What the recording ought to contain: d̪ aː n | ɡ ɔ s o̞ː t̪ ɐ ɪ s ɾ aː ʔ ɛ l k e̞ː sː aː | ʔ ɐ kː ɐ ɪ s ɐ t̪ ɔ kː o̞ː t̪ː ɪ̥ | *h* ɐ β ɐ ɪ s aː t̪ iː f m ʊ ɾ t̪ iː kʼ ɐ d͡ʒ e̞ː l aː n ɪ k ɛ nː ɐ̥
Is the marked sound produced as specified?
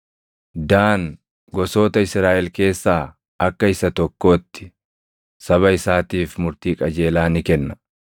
no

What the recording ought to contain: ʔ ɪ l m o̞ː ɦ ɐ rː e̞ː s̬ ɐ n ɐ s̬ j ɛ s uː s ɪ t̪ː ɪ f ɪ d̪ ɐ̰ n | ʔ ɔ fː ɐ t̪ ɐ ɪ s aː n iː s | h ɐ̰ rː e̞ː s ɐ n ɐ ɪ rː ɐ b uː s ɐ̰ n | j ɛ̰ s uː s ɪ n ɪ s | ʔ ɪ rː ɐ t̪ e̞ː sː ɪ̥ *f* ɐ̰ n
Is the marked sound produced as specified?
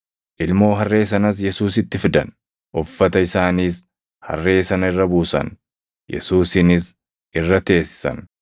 no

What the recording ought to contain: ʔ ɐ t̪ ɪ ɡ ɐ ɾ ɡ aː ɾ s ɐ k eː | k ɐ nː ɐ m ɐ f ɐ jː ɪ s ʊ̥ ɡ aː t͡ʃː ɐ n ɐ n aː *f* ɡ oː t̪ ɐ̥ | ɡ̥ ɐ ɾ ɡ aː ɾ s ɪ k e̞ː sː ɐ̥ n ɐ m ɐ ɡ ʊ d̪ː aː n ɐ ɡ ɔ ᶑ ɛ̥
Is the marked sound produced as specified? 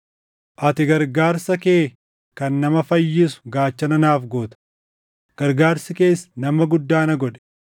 yes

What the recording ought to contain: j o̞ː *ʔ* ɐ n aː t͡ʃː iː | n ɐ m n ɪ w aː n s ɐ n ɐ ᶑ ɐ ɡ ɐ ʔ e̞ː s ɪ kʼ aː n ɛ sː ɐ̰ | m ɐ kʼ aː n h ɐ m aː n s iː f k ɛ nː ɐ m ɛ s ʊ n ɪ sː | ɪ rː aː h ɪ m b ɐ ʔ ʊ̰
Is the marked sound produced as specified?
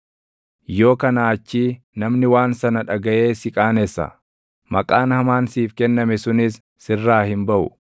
no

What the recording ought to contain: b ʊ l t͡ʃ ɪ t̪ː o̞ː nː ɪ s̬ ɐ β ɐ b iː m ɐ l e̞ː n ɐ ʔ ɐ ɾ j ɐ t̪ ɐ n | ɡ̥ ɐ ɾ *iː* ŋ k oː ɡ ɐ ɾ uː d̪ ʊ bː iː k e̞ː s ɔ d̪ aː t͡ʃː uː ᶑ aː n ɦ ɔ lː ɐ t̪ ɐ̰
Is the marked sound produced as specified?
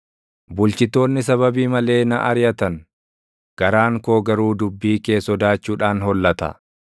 no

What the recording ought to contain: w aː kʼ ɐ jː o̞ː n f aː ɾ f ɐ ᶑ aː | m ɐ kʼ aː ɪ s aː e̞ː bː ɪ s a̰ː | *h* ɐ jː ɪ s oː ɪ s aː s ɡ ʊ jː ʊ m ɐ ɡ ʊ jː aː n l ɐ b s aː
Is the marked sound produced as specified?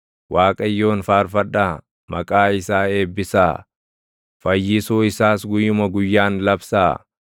no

